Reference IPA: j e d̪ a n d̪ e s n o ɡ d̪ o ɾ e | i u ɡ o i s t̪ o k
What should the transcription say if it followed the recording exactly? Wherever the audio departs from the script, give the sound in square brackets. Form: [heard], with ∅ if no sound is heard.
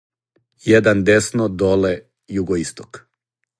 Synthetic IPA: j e d̪ a n d̪ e s n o [∅] d̪ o [l] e | [j] u ɡ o i s t̪ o k